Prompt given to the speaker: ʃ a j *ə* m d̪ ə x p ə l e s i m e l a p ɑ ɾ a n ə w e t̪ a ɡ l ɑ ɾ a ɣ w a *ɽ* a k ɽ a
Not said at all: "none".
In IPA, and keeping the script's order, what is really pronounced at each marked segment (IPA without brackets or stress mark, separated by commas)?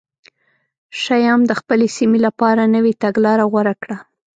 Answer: ɑ, ɾ